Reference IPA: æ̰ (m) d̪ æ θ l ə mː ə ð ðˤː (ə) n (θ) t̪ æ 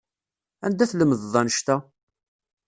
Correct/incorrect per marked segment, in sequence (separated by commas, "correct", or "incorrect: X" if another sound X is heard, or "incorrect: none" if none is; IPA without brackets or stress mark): incorrect: n, incorrect: ɑ, incorrect: ʃ